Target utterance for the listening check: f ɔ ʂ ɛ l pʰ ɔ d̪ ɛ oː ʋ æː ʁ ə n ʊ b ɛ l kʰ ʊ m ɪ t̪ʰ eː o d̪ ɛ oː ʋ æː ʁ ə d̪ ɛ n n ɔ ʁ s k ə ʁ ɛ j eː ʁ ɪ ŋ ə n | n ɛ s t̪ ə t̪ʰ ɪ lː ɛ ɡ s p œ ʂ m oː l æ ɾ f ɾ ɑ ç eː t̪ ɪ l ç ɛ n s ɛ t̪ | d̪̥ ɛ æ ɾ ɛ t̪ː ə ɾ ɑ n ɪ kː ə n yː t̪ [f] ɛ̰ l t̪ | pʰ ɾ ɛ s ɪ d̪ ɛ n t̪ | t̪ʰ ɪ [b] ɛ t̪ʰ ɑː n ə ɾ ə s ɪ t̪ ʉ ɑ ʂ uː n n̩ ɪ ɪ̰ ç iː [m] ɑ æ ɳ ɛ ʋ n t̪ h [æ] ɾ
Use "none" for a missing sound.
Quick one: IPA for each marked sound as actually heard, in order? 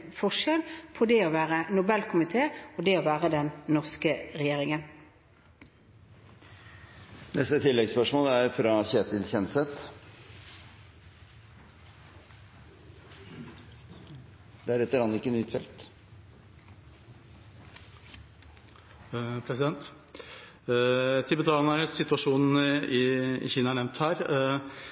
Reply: f, b, n, æː

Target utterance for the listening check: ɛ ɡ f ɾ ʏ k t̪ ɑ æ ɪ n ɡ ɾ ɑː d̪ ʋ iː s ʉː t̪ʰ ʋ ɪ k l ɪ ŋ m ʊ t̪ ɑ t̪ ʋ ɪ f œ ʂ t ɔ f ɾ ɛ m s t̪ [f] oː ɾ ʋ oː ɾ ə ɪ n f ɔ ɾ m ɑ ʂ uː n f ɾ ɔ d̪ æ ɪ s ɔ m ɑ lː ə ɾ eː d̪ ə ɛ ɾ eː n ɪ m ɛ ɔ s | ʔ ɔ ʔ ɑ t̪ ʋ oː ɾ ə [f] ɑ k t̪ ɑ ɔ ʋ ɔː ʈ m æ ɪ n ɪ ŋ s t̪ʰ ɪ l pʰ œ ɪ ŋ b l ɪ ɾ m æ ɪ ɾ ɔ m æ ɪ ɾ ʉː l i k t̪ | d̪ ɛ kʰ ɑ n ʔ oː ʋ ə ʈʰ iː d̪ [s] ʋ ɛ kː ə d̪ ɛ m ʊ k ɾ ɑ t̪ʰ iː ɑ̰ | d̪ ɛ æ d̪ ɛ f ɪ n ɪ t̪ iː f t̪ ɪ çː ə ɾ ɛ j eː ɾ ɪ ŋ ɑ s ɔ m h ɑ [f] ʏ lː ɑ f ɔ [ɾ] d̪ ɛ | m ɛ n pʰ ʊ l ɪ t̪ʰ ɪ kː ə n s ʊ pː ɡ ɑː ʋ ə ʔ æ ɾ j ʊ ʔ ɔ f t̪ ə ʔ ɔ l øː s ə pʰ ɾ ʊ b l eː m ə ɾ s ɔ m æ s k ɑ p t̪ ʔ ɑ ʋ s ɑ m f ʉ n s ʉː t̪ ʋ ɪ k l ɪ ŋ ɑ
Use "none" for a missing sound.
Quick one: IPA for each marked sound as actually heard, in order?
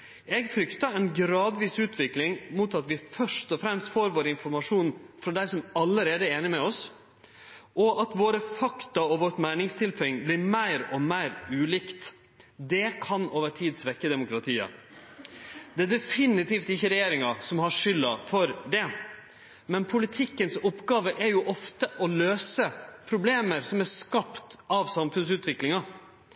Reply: f, f, s, ʂ, ɾ

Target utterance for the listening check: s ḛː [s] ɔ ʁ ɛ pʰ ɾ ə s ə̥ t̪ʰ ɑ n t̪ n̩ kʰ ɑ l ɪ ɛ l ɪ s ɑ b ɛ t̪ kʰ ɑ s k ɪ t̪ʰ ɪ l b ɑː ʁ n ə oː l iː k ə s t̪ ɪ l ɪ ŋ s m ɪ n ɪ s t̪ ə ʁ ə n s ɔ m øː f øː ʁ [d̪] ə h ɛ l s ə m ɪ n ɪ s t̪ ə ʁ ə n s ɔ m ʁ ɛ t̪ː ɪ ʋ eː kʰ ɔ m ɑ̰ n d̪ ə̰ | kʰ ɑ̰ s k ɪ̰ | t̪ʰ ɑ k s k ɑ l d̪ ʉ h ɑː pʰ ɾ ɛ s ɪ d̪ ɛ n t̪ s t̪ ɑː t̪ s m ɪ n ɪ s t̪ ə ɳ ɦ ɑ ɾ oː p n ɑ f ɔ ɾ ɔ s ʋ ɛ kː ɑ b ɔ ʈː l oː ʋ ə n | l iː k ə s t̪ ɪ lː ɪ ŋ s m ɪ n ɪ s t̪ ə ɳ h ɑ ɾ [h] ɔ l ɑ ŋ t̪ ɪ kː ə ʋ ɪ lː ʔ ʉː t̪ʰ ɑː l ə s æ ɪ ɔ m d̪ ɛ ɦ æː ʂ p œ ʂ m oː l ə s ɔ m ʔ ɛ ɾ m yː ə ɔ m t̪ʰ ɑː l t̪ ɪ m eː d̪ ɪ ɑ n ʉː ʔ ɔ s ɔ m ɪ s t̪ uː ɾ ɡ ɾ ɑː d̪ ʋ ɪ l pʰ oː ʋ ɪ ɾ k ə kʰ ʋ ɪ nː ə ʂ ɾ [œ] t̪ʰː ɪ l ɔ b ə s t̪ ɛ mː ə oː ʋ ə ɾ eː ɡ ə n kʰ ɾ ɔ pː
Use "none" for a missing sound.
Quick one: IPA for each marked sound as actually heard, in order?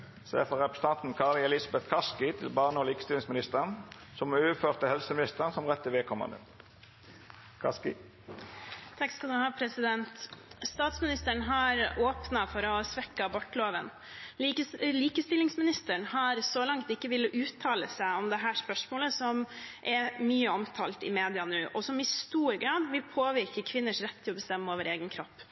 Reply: f, t̪, s, ɛ

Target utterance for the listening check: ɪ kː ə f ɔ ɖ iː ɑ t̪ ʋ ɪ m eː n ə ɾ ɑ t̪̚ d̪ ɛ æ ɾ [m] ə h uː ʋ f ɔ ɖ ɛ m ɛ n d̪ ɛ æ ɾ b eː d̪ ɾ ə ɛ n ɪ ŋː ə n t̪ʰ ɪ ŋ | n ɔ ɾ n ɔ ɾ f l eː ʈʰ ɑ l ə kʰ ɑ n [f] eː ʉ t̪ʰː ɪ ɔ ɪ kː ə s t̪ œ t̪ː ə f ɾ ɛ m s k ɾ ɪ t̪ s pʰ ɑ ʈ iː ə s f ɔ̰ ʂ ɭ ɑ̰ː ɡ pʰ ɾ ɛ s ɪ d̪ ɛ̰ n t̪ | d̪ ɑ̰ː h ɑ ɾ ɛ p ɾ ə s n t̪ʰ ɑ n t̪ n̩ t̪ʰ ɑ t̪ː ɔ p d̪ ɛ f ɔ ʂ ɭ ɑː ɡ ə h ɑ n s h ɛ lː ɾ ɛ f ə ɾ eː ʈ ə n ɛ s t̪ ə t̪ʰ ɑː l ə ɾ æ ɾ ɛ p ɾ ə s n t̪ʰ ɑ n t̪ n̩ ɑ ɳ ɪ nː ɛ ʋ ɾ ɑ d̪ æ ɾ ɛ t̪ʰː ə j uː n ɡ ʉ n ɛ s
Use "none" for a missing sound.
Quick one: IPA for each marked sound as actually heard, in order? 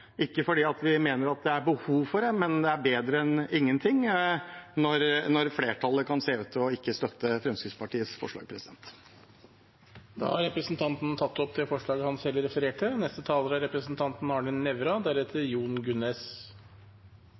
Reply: b, s

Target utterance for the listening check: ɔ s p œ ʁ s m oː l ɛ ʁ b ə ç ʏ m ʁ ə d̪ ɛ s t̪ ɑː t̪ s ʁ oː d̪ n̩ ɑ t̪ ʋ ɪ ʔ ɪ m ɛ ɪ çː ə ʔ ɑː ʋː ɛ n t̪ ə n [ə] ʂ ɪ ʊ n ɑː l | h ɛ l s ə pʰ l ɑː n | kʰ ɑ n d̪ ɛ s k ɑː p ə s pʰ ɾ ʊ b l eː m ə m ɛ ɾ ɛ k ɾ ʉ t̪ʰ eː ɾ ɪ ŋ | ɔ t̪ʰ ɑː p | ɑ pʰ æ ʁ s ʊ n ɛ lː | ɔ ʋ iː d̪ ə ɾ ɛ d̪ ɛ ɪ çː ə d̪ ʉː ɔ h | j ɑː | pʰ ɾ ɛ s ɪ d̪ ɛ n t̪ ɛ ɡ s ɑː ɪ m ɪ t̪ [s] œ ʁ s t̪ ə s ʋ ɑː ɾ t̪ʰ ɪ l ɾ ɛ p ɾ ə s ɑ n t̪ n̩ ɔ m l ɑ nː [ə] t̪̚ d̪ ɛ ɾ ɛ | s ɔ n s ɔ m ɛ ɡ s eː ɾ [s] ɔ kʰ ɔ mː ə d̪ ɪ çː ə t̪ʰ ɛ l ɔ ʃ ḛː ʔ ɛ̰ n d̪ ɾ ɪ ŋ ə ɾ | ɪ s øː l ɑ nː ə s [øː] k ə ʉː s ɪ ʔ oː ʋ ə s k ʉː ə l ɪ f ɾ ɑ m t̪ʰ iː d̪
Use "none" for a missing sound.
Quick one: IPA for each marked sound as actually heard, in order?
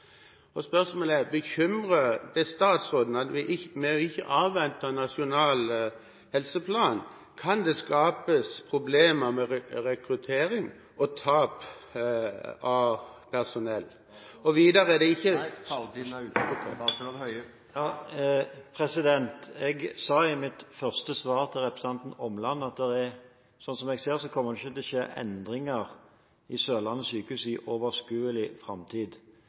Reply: ɑ, f, ɑ, s, yː

